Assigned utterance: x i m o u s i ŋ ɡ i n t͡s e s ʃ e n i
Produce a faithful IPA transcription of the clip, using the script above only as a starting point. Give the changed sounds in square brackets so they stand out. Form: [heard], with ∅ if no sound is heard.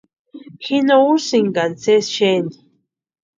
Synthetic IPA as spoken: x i [n] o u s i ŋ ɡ [a] n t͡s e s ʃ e n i